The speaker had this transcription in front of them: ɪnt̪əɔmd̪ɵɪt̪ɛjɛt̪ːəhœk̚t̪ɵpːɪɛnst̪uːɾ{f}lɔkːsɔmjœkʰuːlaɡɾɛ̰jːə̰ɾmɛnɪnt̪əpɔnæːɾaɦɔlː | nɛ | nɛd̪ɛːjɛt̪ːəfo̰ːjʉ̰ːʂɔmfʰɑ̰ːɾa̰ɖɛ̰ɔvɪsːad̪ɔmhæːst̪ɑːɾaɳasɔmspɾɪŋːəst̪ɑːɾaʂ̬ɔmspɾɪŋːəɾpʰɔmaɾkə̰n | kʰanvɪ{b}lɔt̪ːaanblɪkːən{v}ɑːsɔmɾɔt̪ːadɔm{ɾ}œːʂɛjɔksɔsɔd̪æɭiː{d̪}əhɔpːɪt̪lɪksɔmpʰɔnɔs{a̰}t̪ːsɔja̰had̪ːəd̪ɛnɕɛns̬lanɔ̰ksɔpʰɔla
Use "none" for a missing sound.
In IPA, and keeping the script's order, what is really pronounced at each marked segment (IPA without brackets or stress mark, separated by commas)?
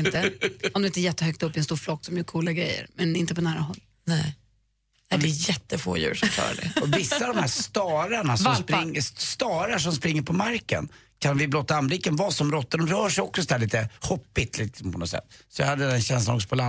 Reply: f, b, v, ɾ, t̪, ɛ̰